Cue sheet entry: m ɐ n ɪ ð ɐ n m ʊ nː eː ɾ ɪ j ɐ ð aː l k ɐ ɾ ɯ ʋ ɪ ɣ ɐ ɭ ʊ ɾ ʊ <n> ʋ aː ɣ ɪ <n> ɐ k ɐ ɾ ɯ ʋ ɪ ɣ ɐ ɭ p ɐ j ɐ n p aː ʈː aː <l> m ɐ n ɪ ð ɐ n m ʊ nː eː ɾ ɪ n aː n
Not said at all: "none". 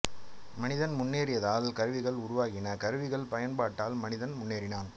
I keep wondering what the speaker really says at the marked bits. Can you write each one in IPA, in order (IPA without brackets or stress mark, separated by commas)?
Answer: none, n, l